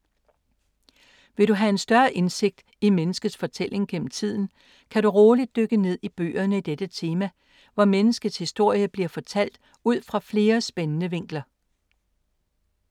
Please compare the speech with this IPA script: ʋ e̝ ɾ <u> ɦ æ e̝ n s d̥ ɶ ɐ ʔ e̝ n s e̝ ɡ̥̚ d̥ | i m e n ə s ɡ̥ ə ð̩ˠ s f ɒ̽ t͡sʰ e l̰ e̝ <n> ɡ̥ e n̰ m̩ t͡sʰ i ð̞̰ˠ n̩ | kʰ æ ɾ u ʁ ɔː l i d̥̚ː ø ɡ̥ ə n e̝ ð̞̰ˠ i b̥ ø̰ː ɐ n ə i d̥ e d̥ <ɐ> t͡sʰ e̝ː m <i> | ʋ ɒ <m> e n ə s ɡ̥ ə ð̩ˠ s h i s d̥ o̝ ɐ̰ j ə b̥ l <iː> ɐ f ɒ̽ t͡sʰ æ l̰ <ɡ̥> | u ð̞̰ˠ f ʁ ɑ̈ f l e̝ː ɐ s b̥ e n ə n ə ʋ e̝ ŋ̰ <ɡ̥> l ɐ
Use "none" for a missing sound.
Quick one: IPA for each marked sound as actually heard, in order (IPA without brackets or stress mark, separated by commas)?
u, ŋ, ə, æ, m, i, d̥, ɡ̥